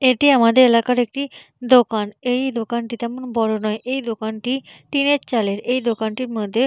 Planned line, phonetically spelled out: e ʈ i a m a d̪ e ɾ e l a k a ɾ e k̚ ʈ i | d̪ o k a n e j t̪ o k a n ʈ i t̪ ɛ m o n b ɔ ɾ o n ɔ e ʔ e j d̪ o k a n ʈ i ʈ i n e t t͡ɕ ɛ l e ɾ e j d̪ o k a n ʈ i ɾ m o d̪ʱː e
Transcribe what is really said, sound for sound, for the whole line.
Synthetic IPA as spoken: e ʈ i a m a d̪ e ɾ e l a k a ɾ e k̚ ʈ i | d̪ o k a n e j d̪ o k a n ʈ i t̪ ɛ m o n b ɔ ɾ o n ɔ e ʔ e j d̪ o k a n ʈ i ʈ i n e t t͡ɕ a l e ɾ e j d̪ o k a n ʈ i ɾ m o d̪ʱː e